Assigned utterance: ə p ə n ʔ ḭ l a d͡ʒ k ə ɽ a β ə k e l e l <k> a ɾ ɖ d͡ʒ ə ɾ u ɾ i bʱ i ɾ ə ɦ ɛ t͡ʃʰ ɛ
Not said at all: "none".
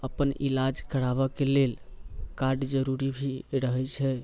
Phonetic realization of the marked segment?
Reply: k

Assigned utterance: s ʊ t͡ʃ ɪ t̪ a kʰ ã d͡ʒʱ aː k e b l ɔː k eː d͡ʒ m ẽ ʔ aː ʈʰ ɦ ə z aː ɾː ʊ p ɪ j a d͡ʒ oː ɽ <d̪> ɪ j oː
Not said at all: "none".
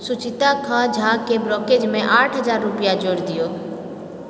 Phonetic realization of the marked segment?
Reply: d̪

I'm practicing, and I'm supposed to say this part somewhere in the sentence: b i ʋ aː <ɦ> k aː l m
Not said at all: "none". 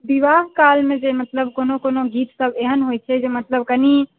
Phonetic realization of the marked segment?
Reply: ɦ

